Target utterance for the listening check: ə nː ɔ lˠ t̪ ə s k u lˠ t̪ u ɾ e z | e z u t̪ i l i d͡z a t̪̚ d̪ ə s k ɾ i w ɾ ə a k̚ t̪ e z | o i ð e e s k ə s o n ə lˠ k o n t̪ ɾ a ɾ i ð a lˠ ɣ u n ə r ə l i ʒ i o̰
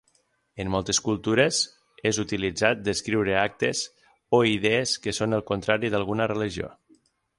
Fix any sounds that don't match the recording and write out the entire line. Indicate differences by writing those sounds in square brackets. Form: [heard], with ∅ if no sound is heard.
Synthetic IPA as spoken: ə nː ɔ lˠ t̪ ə s k u lˠ t̪ u ɾ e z | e z u t̪ i l i d͡z a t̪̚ d̪ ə s k ɾ i w ɾ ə a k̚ t̪ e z | o i ð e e s k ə s o n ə lˠ k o n t̪ ɾ a ɾ i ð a lˠ ɣ u n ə r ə l i ʒ i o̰